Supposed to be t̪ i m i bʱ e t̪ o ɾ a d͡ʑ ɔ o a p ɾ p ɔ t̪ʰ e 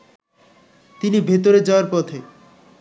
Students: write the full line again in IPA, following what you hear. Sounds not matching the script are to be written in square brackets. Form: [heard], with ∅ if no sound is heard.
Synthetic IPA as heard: t̪ i [n] i bʱ e t̪ o ɾ [e] d͡ʑ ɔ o a [∅] ɾ p ɔ t̪ʰ e